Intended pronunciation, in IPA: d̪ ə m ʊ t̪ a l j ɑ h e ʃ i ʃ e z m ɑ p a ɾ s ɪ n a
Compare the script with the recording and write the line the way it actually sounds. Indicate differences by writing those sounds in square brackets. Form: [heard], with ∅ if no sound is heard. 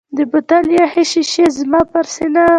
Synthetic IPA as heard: d̪ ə [b] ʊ t̪ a l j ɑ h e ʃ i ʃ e z m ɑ p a ɾ s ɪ n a